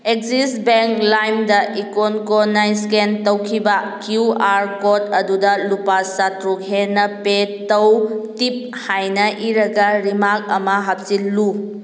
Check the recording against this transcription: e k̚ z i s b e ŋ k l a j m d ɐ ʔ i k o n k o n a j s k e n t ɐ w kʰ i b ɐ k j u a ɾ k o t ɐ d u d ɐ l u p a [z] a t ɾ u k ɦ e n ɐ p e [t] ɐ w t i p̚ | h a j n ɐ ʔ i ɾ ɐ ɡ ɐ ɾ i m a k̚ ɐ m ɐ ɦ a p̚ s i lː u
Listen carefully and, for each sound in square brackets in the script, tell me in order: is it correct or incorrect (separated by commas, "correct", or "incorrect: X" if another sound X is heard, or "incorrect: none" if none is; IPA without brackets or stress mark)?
incorrect: s, correct